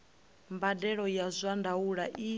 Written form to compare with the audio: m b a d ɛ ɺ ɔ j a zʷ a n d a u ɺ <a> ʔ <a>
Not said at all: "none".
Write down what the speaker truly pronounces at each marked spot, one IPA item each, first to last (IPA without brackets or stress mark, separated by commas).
a, i